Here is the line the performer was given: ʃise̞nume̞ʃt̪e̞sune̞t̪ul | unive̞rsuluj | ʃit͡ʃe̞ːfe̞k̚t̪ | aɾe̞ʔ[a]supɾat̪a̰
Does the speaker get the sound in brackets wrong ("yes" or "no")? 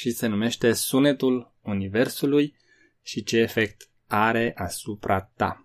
no